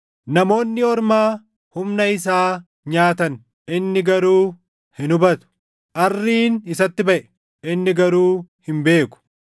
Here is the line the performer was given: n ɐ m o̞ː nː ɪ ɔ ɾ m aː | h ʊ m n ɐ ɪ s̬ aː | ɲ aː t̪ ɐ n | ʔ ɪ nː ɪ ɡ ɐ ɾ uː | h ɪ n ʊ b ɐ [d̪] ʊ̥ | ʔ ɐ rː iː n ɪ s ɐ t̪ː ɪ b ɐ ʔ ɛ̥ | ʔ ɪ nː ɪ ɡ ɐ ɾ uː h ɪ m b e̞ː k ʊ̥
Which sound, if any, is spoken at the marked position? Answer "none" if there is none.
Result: t̪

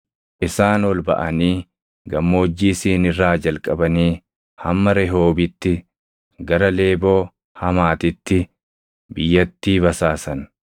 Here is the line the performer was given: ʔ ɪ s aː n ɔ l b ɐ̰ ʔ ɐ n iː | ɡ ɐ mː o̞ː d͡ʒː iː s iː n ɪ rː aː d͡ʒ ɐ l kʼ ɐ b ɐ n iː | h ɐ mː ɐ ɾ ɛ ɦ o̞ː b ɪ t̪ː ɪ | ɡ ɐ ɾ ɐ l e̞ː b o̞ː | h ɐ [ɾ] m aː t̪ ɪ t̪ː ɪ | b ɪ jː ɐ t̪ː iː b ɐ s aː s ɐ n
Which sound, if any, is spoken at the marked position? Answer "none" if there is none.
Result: none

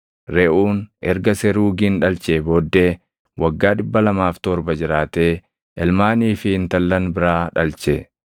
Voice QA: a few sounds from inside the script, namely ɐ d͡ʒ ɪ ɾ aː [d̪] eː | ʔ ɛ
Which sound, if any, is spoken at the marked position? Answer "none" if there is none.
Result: t̪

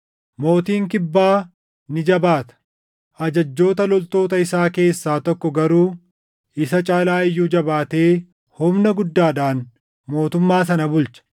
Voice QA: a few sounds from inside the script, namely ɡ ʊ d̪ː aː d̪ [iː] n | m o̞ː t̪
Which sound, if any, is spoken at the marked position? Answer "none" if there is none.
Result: aː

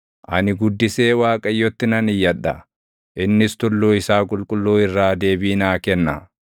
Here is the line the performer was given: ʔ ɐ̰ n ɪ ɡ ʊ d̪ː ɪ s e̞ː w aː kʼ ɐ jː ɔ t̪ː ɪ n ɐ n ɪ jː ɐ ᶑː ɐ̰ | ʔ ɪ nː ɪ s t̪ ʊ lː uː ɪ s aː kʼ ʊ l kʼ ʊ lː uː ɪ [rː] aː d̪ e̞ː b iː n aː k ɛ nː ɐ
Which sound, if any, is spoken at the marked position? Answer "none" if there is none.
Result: rː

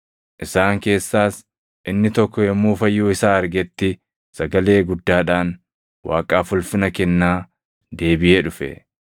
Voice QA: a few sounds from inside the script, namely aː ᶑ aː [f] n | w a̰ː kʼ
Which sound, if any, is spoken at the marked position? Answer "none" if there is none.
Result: none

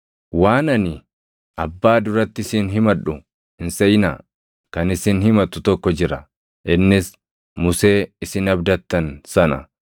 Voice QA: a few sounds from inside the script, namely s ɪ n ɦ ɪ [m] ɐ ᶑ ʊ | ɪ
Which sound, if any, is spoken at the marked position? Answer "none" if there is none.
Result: m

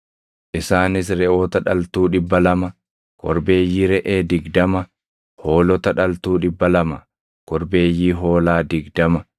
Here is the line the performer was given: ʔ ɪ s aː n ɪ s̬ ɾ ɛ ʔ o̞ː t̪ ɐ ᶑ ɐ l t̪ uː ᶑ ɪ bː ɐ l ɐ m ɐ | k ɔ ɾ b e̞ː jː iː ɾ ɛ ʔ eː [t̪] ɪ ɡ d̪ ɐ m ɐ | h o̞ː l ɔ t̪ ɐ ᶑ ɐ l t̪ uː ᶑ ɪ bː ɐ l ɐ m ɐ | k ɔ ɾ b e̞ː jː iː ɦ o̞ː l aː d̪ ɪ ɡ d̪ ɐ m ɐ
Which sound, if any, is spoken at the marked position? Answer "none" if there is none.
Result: d̪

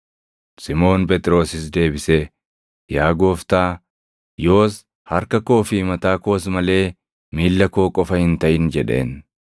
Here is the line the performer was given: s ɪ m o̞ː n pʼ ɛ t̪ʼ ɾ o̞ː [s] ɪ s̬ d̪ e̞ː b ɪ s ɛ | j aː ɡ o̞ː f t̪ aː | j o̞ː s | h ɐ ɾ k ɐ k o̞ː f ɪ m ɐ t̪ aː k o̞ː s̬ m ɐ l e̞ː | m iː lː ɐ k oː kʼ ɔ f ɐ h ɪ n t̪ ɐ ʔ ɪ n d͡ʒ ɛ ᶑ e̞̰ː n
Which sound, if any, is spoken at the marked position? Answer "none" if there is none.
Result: s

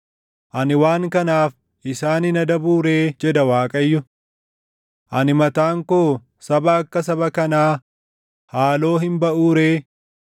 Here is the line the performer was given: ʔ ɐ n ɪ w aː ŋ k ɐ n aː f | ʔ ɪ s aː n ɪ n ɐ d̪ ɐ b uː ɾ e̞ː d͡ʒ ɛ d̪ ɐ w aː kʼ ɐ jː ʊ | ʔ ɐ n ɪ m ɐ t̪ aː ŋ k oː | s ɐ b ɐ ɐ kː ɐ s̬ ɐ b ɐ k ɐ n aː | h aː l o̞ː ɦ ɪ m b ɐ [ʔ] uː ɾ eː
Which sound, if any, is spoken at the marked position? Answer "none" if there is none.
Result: ʔ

